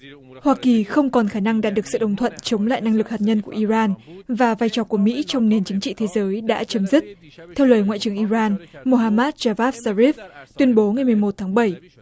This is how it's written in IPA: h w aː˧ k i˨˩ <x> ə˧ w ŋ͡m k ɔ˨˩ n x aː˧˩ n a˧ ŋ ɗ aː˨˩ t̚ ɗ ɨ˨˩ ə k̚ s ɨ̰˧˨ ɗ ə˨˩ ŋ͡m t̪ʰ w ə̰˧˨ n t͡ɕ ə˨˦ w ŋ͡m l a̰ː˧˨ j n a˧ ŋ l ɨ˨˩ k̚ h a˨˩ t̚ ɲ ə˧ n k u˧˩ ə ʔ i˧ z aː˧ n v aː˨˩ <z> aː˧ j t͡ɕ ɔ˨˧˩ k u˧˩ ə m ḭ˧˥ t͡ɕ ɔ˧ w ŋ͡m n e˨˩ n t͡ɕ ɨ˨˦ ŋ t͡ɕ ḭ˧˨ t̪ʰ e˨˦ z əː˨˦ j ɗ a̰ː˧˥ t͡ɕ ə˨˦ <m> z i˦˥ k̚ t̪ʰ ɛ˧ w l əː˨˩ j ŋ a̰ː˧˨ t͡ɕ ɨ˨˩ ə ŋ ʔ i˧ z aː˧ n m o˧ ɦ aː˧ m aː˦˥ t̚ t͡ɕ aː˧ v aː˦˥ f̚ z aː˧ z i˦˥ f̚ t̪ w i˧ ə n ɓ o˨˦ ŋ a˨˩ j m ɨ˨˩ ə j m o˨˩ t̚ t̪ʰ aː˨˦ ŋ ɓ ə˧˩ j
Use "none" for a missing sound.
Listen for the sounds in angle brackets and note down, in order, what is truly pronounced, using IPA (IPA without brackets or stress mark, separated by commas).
x, v, m